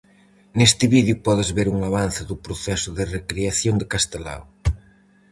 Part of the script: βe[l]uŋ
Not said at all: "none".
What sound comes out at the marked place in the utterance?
ɾ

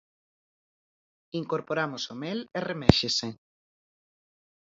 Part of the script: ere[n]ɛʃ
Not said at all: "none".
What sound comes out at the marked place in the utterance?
m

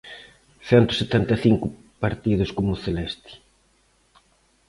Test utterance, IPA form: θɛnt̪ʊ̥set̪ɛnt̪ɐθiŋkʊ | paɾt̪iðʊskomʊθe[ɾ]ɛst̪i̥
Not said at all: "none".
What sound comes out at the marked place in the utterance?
l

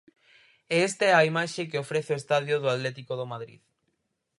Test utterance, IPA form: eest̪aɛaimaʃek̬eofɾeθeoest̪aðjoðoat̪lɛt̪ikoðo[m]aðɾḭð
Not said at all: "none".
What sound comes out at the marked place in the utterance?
m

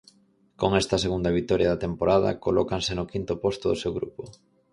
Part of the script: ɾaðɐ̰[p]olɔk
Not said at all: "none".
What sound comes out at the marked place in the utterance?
k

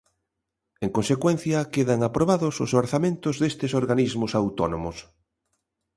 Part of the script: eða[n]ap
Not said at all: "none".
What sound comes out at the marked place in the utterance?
ŋ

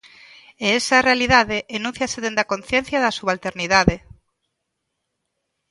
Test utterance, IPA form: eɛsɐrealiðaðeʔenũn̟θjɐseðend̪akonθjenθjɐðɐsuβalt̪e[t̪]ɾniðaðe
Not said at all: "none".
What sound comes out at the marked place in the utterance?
none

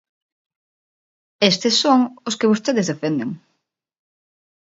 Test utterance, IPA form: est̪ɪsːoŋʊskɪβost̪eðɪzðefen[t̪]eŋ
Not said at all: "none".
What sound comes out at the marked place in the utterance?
d̪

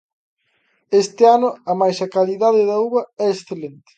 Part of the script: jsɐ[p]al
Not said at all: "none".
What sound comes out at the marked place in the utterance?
k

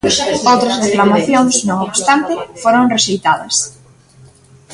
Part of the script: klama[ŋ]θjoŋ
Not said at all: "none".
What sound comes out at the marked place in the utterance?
none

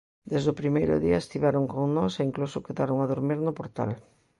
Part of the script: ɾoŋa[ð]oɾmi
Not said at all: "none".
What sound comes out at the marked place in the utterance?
ð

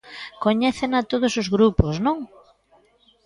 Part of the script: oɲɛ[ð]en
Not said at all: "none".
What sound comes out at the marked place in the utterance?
θ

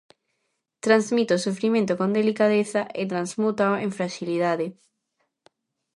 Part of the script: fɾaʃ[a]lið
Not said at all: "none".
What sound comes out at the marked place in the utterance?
i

